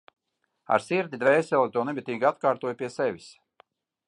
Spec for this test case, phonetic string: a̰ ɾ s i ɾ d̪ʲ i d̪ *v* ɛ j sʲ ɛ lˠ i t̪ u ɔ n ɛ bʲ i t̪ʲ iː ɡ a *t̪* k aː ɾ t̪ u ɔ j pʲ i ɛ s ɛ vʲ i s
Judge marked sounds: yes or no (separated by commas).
yes, yes